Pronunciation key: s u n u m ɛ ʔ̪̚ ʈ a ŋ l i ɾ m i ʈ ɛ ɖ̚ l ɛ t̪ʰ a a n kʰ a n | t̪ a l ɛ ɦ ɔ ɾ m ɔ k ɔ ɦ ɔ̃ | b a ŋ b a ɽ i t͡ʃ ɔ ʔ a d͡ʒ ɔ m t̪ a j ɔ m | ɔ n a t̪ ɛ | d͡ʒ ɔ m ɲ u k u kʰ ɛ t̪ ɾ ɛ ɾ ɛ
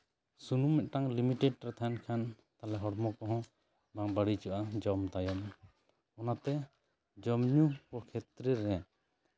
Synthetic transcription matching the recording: s u n u m ɛ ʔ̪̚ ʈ a ŋ l i m i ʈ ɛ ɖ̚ ɾ ɛ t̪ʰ a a n kʰ a n | t̪ a l ɛ ɦ ɔ ɽ m ɔ k ɔ ɦ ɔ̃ | b a ŋ b a ɽ i t͡ʃ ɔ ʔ a d͡ʒ ɔ m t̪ a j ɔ m | ɔ n a t̪ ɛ | d͡ʒ ɔ m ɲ u k ɔ kʰ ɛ t̪ ɾ ɛ ɾ ɛ